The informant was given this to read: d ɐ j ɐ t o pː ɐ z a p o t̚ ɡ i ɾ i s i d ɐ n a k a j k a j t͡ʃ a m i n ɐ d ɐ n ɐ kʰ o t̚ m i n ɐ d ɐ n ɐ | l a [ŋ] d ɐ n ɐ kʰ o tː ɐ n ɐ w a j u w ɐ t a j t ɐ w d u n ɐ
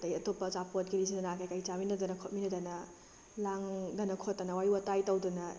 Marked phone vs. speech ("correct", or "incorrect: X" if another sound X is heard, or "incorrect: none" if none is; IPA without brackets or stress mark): correct